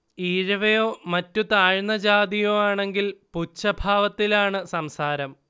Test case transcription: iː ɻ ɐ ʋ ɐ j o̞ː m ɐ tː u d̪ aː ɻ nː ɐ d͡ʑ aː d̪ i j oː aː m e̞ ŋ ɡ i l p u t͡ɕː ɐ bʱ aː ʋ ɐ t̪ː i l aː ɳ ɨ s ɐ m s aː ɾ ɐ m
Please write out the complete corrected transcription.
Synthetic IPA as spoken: iː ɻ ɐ ʋ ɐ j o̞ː m ɐ tː u t̪ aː ɻ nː ɐ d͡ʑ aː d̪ i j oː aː ɳ e̞ ŋ ɡ i l p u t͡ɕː ɐ bʱ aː ʋ ɐ t̪ː i l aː ɳ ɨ s ɐ m s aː ɾ ɐ m